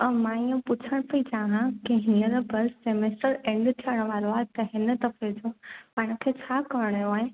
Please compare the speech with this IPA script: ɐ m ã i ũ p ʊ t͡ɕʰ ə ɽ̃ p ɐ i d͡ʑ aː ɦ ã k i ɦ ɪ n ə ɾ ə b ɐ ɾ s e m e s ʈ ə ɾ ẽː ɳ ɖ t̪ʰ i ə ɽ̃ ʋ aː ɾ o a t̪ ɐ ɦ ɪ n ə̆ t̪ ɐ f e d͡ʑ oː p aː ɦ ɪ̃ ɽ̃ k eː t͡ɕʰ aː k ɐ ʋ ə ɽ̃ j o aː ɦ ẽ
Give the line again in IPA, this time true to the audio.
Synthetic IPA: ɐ m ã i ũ p ʊ t͡ɕʰ ə ɽ̃ p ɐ i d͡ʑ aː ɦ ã k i ɦ ɪ n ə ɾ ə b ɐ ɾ s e m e s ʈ ə ɾ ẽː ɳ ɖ t̪ʰ i ə ɽ̃ ʋ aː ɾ o a t̪ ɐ ɦ ɪ n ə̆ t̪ ɐ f e d͡ʑ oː p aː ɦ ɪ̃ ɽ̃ kʰ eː t͡ɕʰ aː k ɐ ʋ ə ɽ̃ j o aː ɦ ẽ